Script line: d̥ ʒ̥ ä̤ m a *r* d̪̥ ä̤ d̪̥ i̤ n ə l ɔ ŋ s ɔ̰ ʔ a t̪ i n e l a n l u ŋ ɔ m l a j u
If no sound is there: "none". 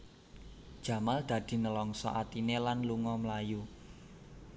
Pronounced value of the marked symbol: l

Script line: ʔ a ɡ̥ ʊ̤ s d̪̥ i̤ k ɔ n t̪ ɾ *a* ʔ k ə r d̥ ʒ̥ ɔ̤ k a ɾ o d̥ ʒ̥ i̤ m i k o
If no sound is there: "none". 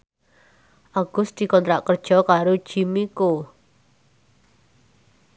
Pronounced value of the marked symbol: a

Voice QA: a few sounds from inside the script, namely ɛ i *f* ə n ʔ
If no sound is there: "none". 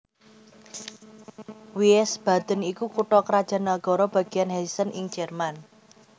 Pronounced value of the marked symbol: s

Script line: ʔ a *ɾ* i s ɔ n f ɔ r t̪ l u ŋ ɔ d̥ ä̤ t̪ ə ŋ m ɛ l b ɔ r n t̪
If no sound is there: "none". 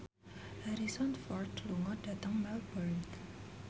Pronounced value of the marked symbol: ɾ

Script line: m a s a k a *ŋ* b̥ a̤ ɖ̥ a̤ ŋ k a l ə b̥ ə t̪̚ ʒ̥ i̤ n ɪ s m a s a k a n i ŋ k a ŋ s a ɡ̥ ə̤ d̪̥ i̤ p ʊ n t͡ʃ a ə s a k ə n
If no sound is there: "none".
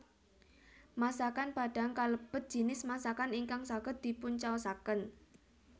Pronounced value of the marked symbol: n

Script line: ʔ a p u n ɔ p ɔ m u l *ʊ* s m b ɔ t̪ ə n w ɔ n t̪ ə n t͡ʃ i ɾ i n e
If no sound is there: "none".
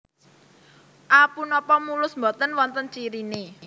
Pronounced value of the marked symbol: ʊ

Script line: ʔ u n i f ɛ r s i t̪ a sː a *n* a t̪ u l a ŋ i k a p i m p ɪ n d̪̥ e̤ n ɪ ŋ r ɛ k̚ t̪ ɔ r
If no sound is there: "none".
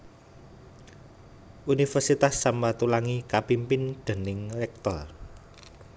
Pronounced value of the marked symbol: m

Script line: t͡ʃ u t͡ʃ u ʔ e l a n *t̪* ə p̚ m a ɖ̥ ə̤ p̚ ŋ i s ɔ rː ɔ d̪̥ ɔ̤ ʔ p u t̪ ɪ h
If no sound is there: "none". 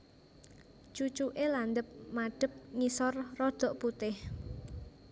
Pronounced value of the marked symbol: d̪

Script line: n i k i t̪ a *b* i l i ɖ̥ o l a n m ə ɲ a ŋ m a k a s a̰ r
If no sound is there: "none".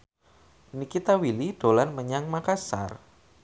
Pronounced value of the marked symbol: w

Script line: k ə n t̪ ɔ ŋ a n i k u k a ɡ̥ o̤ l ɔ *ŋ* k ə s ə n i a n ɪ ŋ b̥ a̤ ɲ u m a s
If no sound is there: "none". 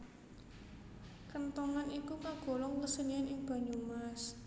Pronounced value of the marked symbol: ŋ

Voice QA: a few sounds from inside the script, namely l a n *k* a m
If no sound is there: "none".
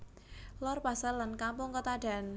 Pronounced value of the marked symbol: k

